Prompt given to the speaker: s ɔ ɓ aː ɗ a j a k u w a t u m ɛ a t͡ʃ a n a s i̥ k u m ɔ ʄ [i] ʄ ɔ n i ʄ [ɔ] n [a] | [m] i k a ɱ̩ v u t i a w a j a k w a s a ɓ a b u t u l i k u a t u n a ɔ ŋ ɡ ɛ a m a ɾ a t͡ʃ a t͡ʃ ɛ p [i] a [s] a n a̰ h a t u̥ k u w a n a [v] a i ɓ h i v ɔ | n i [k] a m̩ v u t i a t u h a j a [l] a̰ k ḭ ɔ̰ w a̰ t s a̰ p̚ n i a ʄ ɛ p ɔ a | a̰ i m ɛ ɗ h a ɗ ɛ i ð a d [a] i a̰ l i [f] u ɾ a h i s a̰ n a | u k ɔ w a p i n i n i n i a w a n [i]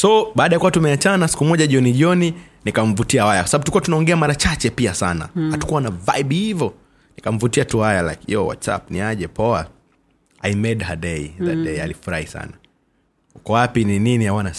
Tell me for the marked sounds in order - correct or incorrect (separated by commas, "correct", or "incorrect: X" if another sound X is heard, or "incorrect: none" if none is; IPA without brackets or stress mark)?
incorrect: a, correct, incorrect: i, incorrect: n, correct, correct, correct, correct, correct, incorrect: ɛ, correct, incorrect: a